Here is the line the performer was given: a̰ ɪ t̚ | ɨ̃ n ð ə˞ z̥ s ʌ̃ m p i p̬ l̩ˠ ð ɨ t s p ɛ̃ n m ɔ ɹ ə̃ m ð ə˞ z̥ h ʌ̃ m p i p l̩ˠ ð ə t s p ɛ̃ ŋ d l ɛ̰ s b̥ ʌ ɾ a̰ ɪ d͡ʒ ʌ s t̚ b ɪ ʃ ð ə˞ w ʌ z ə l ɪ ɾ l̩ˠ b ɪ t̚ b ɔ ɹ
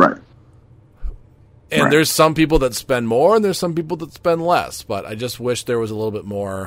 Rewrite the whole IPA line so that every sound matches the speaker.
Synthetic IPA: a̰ ɪ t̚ | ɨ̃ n ð ə˞ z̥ s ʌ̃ m p i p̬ l̩ˠ ð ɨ t s p ɛ̃ n m ɔ ɹ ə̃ n ð ə˞ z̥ s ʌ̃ m p i p l̩ˠ ð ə t s p ɛ̃ n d l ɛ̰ s b̥ ʌ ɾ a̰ ɪ d͡ʒ ʌ s t̚ w ɪ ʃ ð ə˞ w ʌ z ə l ɪ ɾ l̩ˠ b ɪ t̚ m ɔ ɹ